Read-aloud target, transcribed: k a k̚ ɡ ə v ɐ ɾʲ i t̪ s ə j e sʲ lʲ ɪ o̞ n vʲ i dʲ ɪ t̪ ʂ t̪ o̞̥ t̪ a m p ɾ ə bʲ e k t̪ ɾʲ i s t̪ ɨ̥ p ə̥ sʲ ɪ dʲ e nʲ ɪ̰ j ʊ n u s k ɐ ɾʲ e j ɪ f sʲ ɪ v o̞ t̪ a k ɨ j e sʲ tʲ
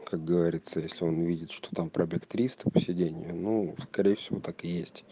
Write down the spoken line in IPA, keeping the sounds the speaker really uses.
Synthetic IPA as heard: k a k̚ ɡ ə v ɐ ɾʲ i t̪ s ə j e sʲ lʲ ɪ o̞ n vʲ i dʲ ɪ t̪ ʂ t̪ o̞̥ t̪ a m p ɾ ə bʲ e k t̪ ɾʲ i s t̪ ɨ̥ p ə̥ sʲ ɪ dʲ e nʲ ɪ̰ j ʊ n u s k ɐ ɾʲ e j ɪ f sʲ ɪ v o̞ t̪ a k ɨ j e sʲ tʲ